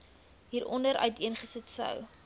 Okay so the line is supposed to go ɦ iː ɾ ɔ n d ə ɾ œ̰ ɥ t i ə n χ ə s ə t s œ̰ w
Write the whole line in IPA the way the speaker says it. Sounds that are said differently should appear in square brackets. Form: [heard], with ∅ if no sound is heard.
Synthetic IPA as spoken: ɦ iː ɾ ɔ n d ə ɾ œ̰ ɥ t i ə n χ ə s ə t s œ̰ w